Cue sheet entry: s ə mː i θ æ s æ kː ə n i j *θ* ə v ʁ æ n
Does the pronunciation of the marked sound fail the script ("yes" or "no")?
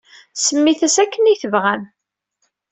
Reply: no